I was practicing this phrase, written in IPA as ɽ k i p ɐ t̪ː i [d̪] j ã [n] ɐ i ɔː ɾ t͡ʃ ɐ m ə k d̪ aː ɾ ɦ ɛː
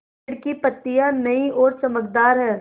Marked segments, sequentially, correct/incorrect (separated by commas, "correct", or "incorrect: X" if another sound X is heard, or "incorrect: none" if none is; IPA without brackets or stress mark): incorrect: none, correct